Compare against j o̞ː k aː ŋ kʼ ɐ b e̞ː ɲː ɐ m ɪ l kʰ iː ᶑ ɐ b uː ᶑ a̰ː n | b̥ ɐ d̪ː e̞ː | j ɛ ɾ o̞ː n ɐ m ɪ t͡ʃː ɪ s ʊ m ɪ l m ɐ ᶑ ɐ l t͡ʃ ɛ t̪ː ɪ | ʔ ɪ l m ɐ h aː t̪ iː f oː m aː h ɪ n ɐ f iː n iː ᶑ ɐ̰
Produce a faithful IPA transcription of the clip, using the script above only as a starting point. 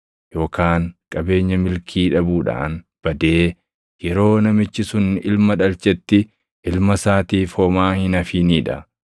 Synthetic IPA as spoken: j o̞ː k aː ŋ kʼ ɐ b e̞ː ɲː ɐ m ɪ l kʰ iː ᶑ ɐ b uː ᶑ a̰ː n | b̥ ɐ d̪ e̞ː | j ɛ ɾ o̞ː n ɐ m ɪ t͡ʃː ɪ s ʊ n ɪ l m ɐ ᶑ ɐ l t͡ʃ ɛ t̪ː ɪ | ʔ ɪ l m ɐ s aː t̪ iː f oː m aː h ɪ n ɐ f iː n iː ᶑ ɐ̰